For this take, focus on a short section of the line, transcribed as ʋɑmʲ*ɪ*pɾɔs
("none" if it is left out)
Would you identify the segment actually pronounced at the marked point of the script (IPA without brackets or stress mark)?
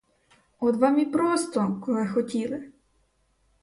i